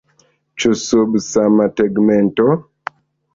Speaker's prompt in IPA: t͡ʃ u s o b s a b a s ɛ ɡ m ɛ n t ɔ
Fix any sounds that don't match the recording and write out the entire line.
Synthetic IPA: t͡ʃ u s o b s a m a t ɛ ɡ m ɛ n t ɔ